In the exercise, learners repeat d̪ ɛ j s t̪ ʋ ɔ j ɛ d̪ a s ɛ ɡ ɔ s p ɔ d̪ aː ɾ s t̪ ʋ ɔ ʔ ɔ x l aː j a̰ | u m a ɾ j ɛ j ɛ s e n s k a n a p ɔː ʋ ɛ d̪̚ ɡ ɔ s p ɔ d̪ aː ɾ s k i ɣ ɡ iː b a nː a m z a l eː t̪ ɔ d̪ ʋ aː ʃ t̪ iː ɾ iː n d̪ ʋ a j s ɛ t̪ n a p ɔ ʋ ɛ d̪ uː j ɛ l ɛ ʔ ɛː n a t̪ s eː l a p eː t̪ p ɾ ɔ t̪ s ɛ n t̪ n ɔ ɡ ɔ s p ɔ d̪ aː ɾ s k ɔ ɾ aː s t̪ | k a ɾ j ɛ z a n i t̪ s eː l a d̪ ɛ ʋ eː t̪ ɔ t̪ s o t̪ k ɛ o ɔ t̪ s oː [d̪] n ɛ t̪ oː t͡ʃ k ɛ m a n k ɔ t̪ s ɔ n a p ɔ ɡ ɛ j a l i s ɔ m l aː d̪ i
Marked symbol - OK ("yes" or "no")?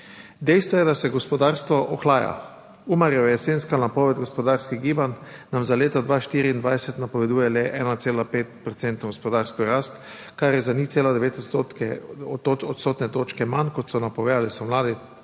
no